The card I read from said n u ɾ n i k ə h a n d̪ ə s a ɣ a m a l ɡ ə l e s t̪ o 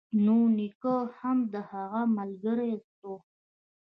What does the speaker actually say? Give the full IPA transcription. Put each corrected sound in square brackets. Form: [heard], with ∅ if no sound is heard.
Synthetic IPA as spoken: n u [∅] n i k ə h a [m] d̪ ə [h] a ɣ a m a l ɡ ə [ɾ] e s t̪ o